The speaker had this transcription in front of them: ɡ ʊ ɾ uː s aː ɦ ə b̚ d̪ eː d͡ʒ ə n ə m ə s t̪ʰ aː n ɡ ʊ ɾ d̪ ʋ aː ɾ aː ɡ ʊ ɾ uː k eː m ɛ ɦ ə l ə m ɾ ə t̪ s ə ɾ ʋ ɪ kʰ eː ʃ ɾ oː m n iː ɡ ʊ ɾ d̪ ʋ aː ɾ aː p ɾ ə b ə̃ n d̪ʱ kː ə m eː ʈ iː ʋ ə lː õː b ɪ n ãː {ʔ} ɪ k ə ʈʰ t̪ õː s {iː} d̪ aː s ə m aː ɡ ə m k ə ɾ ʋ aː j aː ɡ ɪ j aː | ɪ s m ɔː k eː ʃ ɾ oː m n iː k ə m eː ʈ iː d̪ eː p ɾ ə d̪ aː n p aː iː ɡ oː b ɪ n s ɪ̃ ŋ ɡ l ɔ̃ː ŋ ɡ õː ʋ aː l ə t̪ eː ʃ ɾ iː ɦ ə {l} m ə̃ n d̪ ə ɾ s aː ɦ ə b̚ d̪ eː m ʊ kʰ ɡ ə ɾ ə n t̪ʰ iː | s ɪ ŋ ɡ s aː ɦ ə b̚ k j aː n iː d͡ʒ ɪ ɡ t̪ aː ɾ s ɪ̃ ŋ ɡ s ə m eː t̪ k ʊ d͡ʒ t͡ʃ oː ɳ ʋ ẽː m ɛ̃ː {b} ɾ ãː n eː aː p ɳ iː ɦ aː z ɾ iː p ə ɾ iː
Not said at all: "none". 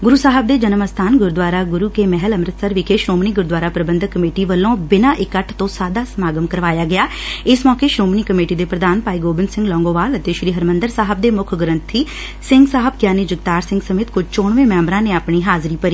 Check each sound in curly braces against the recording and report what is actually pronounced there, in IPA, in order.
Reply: ʔ, aː, ɾ, m

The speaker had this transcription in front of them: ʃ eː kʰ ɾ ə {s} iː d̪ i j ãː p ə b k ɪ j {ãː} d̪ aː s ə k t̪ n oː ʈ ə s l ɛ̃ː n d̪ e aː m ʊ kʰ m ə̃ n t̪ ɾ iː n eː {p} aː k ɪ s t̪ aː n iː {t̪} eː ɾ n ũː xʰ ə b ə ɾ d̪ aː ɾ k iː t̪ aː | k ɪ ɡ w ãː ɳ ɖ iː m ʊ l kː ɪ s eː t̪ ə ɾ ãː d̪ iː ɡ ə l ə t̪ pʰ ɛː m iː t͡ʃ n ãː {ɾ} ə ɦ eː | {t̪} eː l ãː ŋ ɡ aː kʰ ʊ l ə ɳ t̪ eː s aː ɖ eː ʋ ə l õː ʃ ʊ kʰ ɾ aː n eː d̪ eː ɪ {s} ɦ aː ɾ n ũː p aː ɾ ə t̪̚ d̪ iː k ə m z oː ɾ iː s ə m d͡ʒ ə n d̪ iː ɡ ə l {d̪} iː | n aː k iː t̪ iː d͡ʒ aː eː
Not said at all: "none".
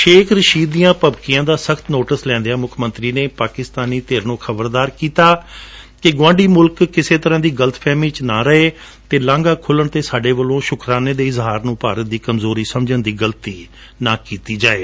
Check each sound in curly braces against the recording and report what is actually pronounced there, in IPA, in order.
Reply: ʃ, ãː, p, t̪, ɾ, t̪, z, t̪

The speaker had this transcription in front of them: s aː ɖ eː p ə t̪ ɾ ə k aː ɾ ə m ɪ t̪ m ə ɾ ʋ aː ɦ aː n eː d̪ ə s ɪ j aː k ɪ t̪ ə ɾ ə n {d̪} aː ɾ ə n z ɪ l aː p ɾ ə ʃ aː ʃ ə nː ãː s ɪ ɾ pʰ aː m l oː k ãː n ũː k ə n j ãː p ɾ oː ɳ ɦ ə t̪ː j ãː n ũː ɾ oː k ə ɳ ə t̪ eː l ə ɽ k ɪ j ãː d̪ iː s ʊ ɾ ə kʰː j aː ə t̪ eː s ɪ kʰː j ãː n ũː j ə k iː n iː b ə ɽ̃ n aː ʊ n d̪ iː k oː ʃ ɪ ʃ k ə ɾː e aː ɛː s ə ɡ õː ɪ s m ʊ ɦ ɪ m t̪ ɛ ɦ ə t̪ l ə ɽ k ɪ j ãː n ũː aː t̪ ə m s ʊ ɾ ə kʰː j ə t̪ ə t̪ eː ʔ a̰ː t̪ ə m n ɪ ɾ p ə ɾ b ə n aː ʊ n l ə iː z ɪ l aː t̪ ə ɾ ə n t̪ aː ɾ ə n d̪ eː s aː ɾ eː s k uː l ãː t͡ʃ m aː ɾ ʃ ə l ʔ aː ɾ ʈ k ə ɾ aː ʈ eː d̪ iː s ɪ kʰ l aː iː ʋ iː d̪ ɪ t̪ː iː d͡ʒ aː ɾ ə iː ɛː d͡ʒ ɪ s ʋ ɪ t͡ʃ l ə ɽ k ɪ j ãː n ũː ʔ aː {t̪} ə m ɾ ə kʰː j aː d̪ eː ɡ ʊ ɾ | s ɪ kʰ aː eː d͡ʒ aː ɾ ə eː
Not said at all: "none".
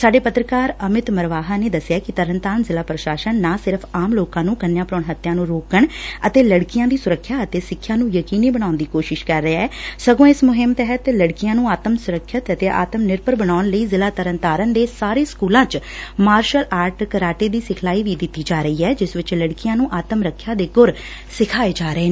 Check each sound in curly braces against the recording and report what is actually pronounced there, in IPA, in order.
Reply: t̪, t̪

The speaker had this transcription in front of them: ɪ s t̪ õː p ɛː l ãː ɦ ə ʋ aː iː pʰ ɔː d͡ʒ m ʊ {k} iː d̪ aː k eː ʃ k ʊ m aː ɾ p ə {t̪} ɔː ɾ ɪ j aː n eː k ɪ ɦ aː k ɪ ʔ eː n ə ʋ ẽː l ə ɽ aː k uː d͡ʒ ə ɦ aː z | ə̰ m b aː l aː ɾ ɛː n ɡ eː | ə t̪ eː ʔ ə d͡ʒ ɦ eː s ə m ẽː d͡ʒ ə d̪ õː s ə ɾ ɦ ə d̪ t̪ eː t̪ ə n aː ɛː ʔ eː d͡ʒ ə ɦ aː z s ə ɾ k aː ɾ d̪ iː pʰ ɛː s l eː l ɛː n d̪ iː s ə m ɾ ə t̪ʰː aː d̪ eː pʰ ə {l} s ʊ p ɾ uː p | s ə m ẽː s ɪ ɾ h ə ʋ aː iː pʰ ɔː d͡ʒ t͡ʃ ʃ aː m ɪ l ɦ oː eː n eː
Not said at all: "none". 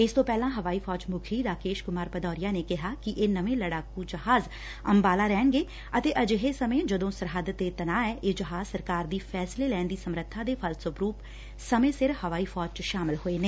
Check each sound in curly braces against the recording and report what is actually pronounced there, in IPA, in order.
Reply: kʰ, d̪, l

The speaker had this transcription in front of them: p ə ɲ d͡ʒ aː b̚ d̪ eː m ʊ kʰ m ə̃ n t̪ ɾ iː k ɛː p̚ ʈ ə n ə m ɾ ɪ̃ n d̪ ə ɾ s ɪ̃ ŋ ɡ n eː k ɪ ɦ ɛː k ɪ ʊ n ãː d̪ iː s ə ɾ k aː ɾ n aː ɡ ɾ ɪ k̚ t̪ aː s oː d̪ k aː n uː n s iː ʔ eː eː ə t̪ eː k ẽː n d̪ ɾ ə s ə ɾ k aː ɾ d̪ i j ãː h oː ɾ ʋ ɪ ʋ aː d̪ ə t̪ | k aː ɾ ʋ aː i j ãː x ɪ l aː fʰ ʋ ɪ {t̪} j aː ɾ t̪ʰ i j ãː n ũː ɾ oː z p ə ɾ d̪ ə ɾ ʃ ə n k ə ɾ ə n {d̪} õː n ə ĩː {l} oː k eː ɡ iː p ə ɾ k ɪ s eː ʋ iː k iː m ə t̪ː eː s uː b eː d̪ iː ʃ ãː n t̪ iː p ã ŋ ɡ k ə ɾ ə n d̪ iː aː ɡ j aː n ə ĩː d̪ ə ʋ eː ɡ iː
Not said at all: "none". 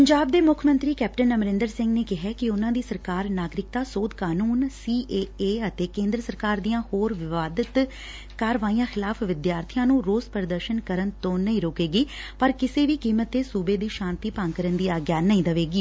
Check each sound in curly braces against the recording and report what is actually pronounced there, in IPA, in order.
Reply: d̪, t̪, ɾ

